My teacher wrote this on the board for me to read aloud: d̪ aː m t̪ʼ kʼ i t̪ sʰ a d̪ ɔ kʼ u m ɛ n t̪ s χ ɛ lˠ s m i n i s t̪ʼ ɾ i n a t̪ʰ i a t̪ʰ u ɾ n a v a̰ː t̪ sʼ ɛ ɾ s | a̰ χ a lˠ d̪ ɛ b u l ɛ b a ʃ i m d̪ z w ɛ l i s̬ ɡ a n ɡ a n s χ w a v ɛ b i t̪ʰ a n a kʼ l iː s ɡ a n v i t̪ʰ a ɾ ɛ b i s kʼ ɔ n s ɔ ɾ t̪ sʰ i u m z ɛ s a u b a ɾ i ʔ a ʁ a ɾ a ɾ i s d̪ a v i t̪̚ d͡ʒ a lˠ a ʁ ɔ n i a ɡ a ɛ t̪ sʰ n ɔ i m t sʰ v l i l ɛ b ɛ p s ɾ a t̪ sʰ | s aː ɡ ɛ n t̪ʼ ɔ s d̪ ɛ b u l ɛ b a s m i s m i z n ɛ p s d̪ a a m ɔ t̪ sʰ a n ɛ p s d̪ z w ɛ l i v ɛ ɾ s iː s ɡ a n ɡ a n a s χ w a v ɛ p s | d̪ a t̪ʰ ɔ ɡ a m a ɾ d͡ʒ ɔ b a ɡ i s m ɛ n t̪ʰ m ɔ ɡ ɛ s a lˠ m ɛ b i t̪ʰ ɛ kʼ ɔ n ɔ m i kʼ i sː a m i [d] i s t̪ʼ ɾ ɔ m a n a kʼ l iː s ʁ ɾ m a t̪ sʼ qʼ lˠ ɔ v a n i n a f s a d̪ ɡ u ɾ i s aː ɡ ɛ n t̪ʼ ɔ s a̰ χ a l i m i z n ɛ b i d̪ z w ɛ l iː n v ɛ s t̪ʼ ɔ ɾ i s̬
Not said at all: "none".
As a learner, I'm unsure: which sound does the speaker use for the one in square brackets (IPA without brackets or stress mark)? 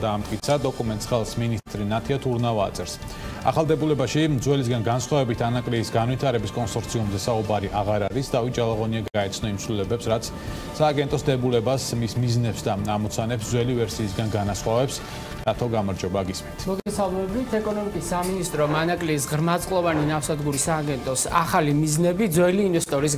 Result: n